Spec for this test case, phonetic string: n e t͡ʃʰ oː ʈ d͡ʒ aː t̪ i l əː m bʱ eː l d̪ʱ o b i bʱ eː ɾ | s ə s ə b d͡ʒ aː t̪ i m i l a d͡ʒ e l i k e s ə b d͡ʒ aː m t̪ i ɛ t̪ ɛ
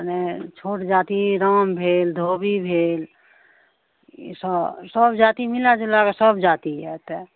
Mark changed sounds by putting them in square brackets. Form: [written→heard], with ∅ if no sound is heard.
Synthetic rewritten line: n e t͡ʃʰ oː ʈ d͡ʒ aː t̪ i [l→ɾ] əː m bʱ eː l d̪ʱ o b i bʱ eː [ɾ→l] | s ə s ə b d͡ʒ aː t̪ i m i l a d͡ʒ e l [i→a] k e s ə b d͡ʒ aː [m→∅] t̪ i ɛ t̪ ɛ